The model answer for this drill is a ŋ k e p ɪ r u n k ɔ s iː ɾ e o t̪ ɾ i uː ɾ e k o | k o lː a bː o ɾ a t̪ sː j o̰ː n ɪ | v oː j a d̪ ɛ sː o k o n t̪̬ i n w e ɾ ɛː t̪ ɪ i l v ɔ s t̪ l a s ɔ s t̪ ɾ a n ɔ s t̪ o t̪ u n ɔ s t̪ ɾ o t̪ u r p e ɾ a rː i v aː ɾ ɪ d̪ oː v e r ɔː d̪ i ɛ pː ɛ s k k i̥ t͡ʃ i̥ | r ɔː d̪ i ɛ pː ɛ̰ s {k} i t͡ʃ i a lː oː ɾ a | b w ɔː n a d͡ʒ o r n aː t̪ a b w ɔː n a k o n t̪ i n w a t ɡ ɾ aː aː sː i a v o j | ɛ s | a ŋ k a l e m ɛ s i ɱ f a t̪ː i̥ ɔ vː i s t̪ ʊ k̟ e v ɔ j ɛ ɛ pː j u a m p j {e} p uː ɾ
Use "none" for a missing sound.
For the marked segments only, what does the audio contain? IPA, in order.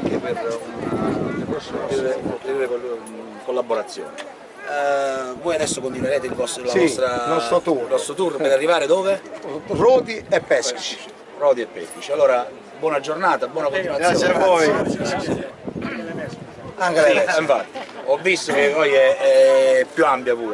k, a

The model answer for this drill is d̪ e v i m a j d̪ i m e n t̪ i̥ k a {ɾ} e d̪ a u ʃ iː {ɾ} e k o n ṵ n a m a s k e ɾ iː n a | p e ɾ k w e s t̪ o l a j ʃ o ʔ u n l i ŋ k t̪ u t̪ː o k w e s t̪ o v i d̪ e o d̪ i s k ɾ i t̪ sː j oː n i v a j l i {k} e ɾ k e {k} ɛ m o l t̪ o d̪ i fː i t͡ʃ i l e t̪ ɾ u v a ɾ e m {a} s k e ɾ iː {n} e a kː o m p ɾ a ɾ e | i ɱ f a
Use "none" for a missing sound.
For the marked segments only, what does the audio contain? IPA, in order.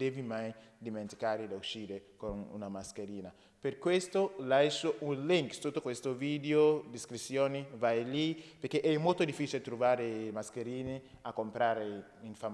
ɾ, ɾ, p, ʔ, a, n

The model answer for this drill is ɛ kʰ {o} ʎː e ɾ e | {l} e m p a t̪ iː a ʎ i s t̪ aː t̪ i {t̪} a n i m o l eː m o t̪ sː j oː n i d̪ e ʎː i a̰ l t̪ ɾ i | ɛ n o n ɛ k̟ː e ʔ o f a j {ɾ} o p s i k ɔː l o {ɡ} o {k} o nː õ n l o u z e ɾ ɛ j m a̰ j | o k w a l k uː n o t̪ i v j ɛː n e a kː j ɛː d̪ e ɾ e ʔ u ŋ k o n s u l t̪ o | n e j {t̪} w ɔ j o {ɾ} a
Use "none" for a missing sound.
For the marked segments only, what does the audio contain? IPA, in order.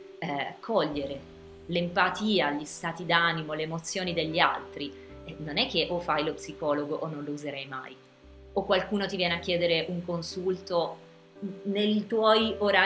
ɔ, l, d̪, l, ɡ, ʔ, t̪, ɾ

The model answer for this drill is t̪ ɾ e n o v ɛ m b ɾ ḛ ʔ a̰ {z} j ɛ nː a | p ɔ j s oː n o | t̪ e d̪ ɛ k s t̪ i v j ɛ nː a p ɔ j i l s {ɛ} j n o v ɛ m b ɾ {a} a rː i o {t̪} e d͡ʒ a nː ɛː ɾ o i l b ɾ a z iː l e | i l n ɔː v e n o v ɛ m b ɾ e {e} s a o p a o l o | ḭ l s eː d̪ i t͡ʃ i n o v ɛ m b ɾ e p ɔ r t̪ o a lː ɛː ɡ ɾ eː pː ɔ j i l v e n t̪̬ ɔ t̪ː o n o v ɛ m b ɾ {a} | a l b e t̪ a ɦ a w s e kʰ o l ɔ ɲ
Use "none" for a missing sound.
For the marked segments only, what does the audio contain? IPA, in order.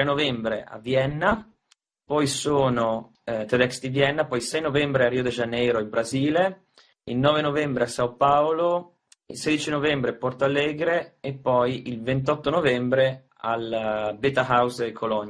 v, ɛ, e, d̪, a, e

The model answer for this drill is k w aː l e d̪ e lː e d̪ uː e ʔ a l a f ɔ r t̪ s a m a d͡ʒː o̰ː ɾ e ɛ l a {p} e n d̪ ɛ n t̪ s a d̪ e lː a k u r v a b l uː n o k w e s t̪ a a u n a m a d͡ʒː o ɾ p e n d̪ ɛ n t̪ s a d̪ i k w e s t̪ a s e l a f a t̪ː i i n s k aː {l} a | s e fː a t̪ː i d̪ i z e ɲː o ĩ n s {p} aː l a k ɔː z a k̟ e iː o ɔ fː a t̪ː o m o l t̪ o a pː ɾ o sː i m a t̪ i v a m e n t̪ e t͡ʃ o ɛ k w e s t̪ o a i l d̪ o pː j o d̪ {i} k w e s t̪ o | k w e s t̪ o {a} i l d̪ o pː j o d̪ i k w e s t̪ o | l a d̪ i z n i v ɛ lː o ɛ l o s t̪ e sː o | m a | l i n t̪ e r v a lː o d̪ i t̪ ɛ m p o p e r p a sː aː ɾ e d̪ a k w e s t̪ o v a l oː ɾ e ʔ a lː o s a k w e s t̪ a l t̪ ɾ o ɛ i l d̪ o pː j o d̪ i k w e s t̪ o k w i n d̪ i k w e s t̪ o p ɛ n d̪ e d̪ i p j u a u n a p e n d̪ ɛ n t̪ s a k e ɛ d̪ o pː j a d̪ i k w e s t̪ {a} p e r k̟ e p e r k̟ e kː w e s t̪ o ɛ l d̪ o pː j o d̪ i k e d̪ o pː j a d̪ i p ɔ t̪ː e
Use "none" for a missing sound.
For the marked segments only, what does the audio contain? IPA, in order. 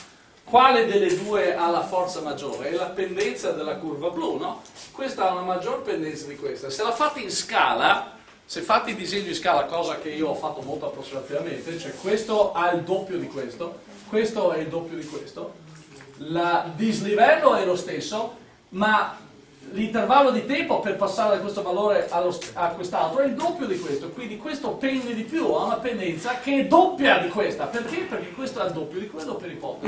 p, l, k, i, ɛ, a

